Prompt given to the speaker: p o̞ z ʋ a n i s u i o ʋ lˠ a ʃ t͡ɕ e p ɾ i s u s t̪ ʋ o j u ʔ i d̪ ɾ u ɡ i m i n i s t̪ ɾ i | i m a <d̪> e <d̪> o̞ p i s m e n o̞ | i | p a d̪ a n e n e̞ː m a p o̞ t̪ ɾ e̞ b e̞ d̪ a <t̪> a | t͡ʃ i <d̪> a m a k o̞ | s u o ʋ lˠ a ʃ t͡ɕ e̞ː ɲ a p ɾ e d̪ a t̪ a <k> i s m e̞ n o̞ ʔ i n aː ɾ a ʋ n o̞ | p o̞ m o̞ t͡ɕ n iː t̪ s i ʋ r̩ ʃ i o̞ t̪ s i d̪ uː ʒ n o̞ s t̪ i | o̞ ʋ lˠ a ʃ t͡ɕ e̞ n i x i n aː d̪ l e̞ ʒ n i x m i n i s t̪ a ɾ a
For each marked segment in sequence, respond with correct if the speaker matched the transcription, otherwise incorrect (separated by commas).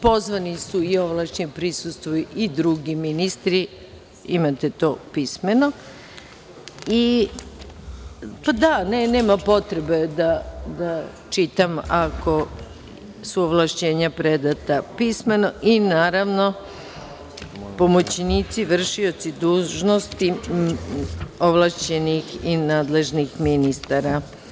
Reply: incorrect, incorrect, incorrect, incorrect, incorrect